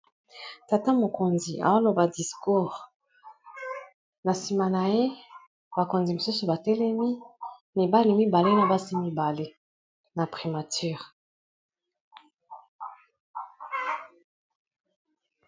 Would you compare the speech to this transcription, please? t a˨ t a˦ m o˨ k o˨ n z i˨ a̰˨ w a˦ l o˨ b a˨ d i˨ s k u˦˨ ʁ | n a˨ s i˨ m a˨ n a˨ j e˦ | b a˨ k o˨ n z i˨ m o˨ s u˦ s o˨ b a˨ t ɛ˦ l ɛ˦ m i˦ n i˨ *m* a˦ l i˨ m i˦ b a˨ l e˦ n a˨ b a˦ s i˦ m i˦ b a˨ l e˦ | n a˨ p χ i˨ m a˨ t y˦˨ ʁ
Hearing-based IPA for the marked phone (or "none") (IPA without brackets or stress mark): b